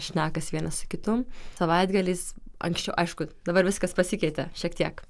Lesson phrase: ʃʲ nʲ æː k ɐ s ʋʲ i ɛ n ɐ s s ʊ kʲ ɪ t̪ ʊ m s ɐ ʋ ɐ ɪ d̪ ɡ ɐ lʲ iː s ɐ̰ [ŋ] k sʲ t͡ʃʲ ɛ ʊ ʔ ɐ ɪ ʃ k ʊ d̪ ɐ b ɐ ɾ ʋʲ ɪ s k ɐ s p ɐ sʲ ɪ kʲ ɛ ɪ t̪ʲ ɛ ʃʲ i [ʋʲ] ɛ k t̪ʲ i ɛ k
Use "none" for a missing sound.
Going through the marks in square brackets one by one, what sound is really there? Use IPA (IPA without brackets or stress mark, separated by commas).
ŋ, none